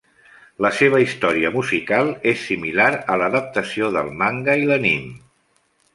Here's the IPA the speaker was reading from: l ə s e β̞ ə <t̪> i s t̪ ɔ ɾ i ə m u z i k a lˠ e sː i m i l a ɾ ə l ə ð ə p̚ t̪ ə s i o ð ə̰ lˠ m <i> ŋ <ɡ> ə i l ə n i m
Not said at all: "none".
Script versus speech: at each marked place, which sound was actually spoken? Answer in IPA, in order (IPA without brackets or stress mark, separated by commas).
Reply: none, a, ɡ